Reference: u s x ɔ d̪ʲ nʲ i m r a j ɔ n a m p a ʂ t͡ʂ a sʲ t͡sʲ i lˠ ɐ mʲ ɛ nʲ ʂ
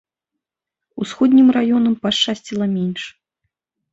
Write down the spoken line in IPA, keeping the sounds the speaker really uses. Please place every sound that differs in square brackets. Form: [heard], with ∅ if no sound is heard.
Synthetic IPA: u s x ɔ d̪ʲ nʲ i m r a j ɔ n [ɐ] m p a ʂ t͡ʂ a sʲ t͡sʲ i lˠ ɐ mʲ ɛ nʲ ʂ